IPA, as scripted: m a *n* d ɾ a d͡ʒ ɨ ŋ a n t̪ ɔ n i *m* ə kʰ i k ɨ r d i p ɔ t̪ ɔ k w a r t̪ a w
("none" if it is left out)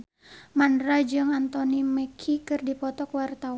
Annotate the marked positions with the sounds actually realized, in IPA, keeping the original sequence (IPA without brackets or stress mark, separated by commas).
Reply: n, m